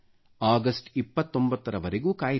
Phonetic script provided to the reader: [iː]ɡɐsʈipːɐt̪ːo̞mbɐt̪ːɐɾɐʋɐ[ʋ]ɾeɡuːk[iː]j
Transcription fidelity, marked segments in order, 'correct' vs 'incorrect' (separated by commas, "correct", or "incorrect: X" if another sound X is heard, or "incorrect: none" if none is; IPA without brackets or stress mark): incorrect: aː, incorrect: none, incorrect: aː